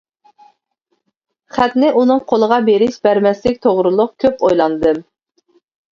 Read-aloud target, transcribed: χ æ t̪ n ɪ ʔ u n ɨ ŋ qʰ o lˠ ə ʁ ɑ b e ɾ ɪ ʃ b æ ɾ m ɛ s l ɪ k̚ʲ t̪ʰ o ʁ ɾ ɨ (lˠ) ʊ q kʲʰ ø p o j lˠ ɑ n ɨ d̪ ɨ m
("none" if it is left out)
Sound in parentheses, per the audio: lˠ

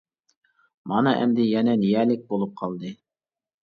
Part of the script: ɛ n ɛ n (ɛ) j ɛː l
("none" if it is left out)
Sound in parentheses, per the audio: i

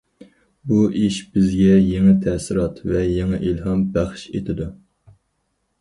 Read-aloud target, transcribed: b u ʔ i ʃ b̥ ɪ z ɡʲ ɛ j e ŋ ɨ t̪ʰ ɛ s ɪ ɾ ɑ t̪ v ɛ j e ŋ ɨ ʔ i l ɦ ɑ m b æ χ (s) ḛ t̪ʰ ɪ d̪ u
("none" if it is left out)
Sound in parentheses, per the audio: ʃ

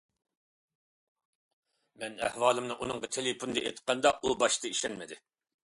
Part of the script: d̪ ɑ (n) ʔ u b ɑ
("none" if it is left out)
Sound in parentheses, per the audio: none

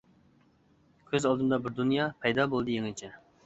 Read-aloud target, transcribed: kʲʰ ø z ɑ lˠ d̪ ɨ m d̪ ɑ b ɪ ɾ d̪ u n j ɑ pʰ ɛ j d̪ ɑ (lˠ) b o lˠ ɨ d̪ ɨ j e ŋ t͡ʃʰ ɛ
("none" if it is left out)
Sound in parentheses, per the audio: none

